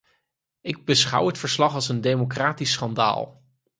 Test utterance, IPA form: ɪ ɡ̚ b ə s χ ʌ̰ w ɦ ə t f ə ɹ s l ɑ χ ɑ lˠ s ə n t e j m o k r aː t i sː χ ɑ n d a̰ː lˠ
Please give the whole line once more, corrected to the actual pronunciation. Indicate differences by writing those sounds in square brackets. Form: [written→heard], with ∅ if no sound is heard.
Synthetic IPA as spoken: ɪ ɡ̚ b ə s χ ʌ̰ w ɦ ə t f ə ɹ s l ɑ χ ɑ lˠ s ə n [t→d] e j m o k r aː t i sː χ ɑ n d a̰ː lˠ